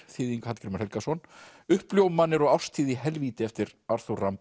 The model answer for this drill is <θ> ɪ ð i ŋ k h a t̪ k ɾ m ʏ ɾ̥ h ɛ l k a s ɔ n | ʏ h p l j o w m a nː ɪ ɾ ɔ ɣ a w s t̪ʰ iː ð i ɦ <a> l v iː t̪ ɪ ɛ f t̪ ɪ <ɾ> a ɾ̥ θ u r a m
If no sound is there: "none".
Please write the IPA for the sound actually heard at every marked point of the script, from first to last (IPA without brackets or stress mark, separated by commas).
θ, ɛ, ɾ